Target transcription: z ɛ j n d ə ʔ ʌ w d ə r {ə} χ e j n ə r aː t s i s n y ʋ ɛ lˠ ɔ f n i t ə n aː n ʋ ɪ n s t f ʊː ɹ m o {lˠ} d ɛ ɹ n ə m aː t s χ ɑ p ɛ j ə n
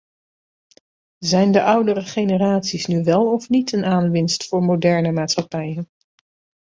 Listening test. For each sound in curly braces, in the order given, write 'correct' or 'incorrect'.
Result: correct, incorrect: none

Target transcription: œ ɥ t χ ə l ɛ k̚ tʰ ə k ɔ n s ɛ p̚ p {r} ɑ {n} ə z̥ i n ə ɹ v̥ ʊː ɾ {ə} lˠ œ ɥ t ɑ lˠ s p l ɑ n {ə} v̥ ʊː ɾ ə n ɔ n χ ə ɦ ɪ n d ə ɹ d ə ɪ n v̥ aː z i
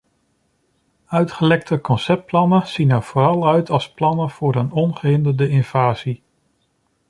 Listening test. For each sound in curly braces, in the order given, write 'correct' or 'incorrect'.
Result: incorrect: l, correct, incorrect: ɑ, correct

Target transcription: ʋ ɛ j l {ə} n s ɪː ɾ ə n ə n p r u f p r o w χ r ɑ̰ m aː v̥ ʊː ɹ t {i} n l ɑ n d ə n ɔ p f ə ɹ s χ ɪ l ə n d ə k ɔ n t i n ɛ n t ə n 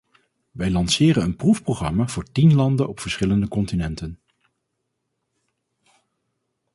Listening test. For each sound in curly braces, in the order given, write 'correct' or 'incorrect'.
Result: incorrect: ɑ, correct

